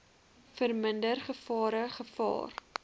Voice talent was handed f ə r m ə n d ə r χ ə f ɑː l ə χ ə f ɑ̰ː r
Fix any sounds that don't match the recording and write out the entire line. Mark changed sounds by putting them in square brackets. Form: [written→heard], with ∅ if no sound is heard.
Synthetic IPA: f ə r m ə n d ə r χ ə f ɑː [l→ɾ] ə χ ə f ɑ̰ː r